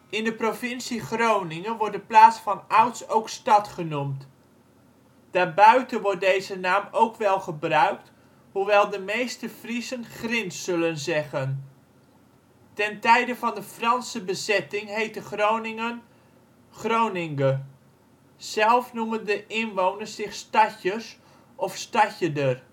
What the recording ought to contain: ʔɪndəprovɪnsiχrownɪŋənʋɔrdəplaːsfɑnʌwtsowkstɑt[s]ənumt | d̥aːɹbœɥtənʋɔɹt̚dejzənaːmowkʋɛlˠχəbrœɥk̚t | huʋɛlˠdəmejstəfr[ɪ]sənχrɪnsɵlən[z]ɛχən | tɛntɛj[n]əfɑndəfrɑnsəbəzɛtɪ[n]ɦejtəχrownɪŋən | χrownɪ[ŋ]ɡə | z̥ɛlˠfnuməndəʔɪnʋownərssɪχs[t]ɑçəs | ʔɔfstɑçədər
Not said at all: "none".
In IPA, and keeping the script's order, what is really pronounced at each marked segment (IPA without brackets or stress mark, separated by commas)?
χ, i, z, d, ŋ, ŋ, t